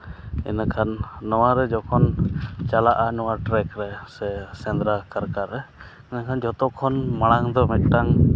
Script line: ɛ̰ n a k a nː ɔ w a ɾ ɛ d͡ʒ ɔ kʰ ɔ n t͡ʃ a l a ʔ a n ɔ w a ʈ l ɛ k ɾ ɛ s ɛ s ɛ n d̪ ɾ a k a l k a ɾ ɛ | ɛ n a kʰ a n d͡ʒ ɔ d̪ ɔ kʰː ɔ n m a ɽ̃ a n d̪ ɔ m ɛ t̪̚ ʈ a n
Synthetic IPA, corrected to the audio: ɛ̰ n a kʰ a nː ɔ w a ɾ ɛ d͡ʒ ɔ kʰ ɔ n t͡ʃ a l a ʔ a n ɔ w a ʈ ɾ ɛ k ɾ ɛ s ɛ s ɛ n d̪ ɾ a k a ɾ k a ɾ ɛ | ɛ n a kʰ a n d͡ʒ ɔ t̪ ɔ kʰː ɔ n m a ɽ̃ a ŋ d̪ ɔ m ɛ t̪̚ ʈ a ŋ